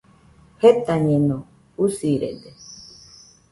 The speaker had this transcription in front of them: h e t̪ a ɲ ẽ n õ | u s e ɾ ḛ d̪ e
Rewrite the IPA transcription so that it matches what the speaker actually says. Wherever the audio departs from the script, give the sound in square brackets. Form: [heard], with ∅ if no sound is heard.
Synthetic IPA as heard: h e t̪ a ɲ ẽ n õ | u s [i] ɾ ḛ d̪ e